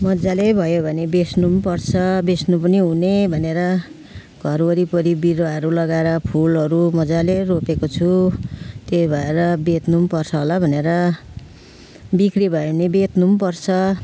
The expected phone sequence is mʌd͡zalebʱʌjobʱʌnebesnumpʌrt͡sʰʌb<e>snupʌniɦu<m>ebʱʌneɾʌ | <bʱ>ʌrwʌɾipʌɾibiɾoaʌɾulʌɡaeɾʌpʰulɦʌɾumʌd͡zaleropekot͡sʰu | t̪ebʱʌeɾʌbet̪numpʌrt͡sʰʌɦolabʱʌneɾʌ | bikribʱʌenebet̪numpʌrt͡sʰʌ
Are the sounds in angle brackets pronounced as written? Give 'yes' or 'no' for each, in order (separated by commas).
yes, no, no